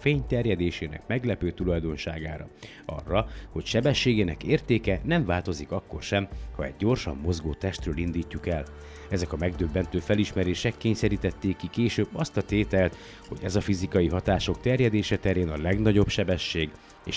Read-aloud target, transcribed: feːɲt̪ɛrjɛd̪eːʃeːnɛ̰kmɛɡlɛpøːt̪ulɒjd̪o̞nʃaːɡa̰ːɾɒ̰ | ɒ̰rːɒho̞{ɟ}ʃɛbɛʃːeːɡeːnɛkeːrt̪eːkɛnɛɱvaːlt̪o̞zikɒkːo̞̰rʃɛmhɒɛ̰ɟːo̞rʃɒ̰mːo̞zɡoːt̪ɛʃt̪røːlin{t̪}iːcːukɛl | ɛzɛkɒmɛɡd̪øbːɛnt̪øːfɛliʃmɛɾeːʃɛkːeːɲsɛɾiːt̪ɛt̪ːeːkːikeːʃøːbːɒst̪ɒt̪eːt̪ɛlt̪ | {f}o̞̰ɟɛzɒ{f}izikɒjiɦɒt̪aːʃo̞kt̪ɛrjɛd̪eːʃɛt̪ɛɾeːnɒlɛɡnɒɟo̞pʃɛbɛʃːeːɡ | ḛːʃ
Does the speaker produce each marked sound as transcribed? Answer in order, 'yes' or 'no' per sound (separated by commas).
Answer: no, no, no, yes